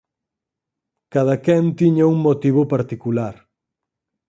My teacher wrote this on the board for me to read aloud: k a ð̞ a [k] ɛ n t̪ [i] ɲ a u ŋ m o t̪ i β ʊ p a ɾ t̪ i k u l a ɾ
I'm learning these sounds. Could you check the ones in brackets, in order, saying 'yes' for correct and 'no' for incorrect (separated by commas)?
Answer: yes, yes